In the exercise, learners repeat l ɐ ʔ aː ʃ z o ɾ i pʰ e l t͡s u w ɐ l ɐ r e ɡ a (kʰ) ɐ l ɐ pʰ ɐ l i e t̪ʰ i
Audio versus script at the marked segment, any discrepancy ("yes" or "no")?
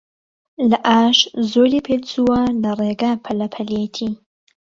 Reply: yes